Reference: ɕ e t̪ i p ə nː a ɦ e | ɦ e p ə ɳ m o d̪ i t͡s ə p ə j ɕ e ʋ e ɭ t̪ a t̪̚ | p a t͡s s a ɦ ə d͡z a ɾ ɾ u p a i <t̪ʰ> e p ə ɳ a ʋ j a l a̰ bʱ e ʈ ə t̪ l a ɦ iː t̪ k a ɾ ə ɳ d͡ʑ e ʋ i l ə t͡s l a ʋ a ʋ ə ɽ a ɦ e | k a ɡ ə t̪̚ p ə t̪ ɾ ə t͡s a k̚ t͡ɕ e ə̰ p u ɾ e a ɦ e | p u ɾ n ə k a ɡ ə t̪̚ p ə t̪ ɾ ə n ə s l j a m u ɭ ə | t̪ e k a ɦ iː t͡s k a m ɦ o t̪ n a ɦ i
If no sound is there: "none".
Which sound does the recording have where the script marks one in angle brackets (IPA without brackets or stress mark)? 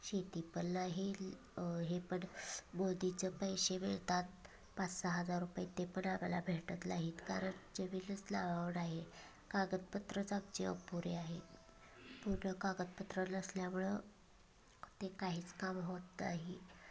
t̪